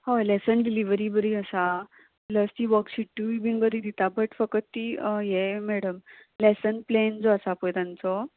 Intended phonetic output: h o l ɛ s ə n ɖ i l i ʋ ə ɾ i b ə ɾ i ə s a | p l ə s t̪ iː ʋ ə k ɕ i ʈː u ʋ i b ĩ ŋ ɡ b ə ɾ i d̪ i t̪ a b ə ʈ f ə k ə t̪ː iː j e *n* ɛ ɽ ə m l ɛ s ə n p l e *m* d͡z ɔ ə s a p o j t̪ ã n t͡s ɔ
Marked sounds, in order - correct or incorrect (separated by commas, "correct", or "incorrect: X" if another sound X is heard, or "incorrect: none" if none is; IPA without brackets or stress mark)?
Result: incorrect: m, incorrect: n